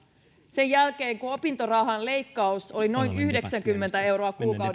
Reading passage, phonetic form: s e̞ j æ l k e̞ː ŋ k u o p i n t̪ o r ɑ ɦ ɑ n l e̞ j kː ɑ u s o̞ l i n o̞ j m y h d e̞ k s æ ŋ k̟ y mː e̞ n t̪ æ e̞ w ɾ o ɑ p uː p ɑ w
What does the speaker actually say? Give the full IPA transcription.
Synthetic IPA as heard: s e̞ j æ l k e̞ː ŋ k u o p i n t̪ o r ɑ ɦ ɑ n l e̞ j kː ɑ u s o̞ l i n o̞ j n y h d e̞ k s æ ŋ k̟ y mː e̞ n t̪ æ e̞ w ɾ o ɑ k uː k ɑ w